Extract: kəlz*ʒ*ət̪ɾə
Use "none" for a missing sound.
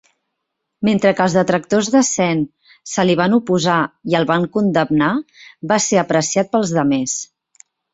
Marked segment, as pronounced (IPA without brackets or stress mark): ð